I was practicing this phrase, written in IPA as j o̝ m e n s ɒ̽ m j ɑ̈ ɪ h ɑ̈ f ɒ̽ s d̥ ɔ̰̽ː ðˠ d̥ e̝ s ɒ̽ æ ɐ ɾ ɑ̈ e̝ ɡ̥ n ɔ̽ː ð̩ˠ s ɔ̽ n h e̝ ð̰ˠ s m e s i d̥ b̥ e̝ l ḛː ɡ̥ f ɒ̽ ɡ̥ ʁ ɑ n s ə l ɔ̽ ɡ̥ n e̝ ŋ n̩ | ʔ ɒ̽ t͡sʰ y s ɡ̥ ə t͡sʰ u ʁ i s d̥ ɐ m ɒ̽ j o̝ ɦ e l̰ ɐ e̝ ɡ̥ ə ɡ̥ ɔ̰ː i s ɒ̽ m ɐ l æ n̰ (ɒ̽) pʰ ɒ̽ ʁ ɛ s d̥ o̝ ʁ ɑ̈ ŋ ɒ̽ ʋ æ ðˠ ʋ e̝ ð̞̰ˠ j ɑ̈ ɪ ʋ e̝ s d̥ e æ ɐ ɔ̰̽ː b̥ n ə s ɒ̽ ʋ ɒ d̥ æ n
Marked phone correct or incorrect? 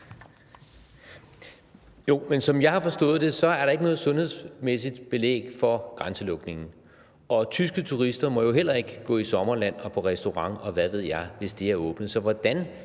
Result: correct